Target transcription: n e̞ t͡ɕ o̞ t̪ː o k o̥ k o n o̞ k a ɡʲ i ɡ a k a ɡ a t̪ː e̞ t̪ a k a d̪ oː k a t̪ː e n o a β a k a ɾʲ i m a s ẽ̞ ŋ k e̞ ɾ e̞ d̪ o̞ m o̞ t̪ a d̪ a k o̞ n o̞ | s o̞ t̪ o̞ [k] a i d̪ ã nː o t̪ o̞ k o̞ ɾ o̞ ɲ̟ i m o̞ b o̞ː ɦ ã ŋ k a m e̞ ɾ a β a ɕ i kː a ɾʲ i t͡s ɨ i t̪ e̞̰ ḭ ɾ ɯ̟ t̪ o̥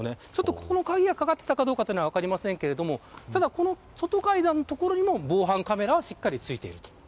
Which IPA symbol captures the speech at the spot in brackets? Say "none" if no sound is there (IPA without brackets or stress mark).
k